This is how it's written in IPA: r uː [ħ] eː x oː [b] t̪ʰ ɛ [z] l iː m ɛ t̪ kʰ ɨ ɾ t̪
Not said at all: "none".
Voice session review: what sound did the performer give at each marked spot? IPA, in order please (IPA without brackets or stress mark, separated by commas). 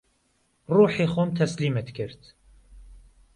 ħ, m, s